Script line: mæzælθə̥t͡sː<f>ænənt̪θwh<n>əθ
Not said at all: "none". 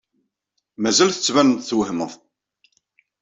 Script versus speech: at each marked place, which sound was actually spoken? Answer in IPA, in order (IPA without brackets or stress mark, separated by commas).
v, m